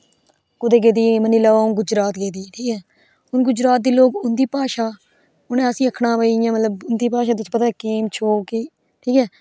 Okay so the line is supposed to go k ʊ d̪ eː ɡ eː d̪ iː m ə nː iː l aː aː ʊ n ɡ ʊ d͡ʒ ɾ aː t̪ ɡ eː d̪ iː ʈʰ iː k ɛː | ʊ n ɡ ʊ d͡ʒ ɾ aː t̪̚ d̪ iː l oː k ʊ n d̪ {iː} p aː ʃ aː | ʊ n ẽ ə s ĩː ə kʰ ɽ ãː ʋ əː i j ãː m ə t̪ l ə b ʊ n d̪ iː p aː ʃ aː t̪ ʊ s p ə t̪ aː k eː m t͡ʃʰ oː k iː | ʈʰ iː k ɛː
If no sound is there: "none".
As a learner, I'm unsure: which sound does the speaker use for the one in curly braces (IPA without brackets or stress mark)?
iː